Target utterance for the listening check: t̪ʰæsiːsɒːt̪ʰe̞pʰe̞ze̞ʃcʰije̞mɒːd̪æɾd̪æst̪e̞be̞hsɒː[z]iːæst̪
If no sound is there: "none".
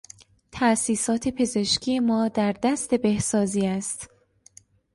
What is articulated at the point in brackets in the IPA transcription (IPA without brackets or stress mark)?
z